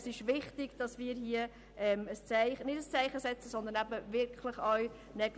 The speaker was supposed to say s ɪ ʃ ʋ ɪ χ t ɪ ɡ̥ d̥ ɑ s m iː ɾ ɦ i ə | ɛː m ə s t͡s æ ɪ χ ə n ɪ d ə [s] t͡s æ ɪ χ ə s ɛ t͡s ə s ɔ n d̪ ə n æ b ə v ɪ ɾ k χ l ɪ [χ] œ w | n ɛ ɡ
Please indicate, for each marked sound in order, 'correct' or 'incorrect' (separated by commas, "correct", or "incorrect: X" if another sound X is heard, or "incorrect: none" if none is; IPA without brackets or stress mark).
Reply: correct, correct